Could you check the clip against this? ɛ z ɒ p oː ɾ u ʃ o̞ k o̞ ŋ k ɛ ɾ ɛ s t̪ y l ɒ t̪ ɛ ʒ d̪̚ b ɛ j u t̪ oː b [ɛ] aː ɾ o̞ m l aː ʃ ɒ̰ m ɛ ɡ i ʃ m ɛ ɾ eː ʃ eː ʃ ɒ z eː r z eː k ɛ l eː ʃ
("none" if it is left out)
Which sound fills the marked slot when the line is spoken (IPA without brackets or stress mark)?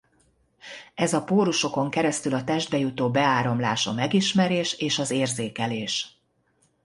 ɛ